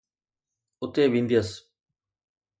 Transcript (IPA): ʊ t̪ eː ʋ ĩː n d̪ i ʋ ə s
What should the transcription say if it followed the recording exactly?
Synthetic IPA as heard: ʊ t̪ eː ʋ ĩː n d̪ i ə s